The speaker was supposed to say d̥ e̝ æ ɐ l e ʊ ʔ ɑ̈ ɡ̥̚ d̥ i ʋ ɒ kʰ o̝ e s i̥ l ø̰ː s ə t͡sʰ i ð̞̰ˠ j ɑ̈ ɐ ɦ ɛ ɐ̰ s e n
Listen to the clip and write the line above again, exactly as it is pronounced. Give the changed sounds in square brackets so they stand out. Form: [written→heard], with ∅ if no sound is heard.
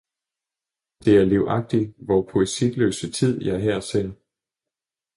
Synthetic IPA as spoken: d̥ e̝ æ ɐ l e ʊ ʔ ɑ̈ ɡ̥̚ d̥ i ʋ ɒ [kʰ→pʰ] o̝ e s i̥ l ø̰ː s ə t͡sʰ i ð̞̰ˠ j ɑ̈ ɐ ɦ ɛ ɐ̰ s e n

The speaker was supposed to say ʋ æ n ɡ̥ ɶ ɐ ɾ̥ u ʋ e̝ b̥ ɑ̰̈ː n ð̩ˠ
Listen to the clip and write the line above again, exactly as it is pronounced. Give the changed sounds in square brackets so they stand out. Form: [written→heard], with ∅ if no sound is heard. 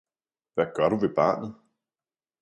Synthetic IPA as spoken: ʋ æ [n→∅] ɡ̥ ɶ ɐ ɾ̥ u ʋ e̝ b̥ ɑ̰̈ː n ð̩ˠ

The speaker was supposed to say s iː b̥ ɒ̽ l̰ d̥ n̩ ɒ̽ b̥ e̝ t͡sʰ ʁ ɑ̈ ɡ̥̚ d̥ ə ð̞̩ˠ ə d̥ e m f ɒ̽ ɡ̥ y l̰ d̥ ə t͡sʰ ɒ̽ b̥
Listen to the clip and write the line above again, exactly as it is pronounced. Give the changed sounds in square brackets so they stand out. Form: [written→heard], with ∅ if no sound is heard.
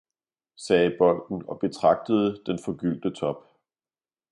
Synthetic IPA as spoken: s [iː→ɛː] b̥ ɒ̽ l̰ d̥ n̩ ɒ̽ b̥ e̝ t͡sʰ ʁ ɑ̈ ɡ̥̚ d̥ ə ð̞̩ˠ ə d̥ e [m→n] f ɒ̽ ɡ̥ y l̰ d̥ ə t͡sʰ ɒ̽ b̥

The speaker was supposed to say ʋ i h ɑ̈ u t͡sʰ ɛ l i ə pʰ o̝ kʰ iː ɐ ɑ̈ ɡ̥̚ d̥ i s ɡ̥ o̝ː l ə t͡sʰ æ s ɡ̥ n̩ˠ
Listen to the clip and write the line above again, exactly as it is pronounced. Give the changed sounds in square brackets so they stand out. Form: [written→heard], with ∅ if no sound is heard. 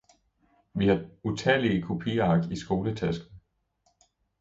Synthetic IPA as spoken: ʋ i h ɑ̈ u t͡sʰ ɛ l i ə [pʰ→kʰ] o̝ [kʰ→pʰ] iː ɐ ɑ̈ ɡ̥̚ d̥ i s ɡ̥ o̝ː l ə t͡sʰ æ s ɡ̥ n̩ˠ

